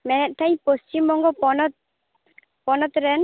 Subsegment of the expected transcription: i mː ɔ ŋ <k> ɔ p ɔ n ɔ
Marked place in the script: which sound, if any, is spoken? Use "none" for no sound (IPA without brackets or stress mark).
ɡ